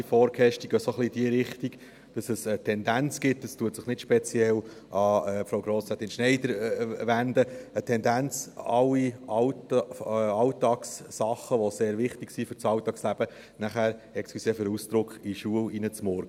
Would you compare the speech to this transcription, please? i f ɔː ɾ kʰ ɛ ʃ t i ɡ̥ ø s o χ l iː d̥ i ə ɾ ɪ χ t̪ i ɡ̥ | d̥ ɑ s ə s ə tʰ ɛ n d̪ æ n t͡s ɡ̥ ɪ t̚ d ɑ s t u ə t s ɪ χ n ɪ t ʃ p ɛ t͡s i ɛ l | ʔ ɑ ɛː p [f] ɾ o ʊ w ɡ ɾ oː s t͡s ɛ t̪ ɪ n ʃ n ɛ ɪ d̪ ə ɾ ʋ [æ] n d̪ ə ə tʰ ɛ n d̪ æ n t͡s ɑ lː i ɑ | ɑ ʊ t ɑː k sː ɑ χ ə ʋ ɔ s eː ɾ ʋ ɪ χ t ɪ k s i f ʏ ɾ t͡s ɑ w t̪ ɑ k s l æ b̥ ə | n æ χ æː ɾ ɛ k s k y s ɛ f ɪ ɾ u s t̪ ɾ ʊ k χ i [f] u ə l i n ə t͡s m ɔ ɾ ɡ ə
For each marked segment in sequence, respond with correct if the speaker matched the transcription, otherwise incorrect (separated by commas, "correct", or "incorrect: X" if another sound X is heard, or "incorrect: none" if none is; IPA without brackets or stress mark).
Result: correct, correct, incorrect: ʃ